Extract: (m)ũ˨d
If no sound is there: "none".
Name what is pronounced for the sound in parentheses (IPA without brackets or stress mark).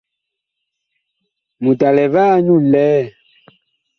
m